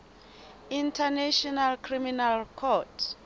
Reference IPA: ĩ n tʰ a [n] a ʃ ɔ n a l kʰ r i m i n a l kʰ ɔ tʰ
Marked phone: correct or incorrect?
correct